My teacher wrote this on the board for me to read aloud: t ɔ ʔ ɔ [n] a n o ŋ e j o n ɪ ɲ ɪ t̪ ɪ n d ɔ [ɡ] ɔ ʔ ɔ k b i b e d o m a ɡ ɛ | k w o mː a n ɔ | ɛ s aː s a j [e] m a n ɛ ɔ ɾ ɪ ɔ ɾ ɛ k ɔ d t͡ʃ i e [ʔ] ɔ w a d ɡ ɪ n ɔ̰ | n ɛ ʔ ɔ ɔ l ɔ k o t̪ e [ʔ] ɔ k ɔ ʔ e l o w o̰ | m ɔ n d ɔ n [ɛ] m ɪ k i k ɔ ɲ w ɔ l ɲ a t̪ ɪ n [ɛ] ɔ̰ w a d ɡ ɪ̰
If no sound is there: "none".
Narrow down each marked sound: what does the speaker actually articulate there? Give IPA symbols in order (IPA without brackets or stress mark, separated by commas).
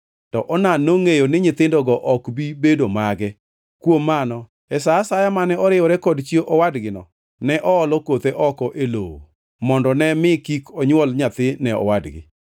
n, ɡ, a, ʔ, ʔ, ɛ, ɛ